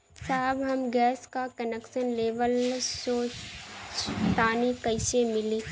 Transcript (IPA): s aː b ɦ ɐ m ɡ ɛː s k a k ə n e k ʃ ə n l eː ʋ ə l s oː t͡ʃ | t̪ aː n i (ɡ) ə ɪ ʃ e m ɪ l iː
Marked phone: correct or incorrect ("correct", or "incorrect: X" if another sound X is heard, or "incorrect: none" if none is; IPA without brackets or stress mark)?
incorrect: k